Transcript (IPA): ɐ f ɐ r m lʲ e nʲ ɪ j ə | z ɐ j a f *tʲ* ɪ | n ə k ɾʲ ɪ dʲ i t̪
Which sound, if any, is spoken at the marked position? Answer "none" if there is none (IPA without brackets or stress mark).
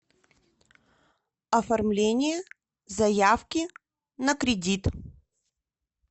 kʲ